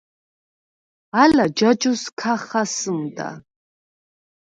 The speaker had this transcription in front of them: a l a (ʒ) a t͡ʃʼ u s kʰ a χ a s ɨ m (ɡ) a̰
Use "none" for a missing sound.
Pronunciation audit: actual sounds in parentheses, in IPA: d͡ʒ, d

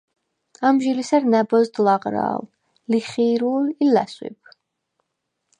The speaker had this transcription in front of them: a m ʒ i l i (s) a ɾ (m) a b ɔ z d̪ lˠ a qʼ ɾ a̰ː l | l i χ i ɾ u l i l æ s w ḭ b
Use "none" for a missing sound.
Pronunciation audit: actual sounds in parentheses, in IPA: s, n

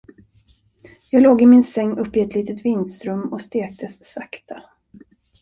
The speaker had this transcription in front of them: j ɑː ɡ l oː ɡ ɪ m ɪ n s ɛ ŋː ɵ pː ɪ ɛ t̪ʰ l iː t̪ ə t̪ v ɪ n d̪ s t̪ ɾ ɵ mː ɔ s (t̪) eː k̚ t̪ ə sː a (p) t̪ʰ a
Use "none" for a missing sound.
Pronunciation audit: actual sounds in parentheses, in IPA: t̪, k

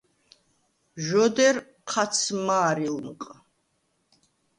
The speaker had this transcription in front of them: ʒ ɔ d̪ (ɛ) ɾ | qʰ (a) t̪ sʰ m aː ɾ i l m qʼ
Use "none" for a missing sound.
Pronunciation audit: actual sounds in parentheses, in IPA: ɛ, a

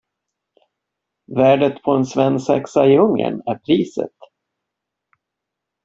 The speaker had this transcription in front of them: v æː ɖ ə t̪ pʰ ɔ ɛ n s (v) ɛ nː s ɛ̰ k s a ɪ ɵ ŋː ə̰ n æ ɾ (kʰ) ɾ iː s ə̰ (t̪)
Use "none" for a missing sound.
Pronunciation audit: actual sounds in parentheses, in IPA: v, pʰ, t̪

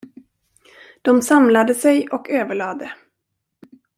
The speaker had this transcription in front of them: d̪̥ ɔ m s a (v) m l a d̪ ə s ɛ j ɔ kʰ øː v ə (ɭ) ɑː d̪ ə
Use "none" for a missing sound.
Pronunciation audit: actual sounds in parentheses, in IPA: none, ɭ

